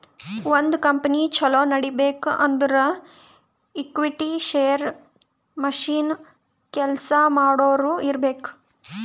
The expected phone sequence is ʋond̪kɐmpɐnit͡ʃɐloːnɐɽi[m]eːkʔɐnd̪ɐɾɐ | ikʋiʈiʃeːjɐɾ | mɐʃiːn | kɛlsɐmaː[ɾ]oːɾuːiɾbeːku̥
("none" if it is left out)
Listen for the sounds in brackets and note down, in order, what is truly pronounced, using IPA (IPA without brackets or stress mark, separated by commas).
b, ɽ